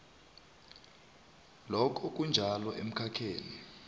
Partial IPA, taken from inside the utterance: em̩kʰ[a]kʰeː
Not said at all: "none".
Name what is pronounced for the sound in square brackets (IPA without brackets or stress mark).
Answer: a